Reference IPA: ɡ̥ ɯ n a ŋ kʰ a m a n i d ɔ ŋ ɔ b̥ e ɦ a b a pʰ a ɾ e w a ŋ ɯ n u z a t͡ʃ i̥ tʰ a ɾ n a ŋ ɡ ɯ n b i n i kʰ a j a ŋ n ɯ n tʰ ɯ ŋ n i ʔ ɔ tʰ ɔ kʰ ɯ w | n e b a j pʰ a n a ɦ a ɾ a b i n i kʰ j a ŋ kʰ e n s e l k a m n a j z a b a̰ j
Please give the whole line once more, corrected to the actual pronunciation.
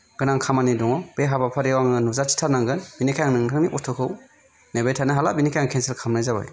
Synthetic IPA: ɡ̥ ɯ n a ŋ kʰ a m a n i d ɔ ŋ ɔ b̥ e ɦ a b a pʰ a ɾ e w a ŋ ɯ n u z a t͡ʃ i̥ tʰ a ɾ n a ŋ ɡ ɯ n b i n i kʰ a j a ŋ n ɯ ŋ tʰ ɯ ŋ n i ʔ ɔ tʰ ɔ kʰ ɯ w | n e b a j tʰ a n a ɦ a l a b i n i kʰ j a ŋ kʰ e n s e l kʰ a m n a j z a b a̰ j